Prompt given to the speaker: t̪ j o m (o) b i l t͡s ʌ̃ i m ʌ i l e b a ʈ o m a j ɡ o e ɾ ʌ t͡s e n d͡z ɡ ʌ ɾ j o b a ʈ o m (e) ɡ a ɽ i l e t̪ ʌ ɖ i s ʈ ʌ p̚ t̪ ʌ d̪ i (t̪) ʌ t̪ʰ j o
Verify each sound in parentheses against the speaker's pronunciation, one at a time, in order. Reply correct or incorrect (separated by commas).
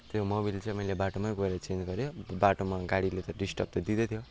correct, incorrect, incorrect